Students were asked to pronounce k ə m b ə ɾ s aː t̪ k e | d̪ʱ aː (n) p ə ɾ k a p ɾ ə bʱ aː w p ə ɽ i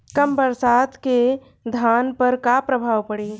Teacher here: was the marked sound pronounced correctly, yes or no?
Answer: yes